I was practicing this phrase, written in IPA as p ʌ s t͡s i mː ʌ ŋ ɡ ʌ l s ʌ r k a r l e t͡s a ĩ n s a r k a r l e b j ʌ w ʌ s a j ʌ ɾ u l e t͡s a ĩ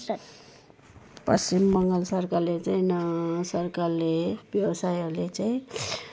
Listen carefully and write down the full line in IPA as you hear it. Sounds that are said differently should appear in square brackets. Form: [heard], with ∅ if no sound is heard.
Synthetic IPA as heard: p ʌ s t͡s i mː ʌ ŋ ɡ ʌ l s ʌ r k a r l e t͡s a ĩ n s [ʌ] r k a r l e b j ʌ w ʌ s a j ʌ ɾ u l e t͡s a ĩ

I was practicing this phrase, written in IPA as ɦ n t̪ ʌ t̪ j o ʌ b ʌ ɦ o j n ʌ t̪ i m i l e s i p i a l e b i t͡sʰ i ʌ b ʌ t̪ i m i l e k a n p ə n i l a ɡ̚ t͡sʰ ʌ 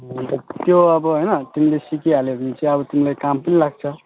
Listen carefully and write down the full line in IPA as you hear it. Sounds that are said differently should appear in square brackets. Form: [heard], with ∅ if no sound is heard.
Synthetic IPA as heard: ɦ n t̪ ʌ t̪ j o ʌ b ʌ ɦ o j n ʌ t̪ i m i l e s i [k] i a l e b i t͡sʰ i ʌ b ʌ t̪ i m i l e k a [m] p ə n i l a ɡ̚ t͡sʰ ʌ

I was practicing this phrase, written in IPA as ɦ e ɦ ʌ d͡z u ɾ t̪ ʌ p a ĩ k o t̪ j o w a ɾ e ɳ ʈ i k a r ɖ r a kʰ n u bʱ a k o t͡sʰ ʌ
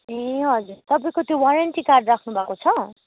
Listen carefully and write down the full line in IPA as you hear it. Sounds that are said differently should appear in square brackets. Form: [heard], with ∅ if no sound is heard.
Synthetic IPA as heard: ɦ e ɦ ʌ d͡z u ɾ t̪ ʌ p a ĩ k o t̪ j o w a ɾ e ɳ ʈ i k a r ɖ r a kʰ n u bʱ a k o t͡sʰ ʌ

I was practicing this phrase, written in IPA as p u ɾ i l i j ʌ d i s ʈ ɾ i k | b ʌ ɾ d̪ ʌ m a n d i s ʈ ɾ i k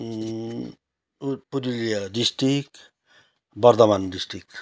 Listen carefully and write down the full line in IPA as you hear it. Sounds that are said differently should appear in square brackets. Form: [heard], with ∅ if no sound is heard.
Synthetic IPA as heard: p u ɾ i l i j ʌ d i s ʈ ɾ i k | b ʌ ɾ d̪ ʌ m a n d i s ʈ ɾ i k

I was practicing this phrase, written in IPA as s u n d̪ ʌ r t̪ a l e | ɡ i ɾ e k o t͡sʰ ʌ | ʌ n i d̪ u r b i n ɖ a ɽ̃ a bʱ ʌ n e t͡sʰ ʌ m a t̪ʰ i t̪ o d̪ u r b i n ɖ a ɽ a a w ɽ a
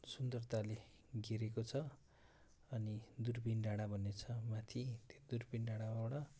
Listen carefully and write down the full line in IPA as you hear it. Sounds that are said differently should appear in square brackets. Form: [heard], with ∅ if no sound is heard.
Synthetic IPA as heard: s u n d̪ ʌ r t̪ a l e | ɡ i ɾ e k o t͡sʰ ʌ | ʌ n i d̪ u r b i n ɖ a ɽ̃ a bʱ ʌ n e t͡sʰ ʌ m a t̪ʰ i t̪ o d̪ u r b i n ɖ a ɽ a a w ɽ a

